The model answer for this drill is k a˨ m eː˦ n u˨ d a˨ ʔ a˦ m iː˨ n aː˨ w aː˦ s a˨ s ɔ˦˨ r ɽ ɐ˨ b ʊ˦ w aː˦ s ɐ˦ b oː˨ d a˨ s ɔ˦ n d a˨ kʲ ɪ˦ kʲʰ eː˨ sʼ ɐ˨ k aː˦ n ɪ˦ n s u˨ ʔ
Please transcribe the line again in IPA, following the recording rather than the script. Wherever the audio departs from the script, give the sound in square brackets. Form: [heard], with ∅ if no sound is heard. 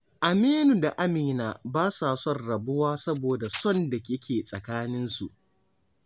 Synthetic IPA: [ʔ] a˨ m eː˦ n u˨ d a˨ ʔ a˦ m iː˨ n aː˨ [b] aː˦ s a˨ s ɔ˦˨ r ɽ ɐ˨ b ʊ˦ w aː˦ s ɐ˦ b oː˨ d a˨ s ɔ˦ n d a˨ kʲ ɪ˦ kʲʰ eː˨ sʼ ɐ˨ k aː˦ n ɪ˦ n s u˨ ʔ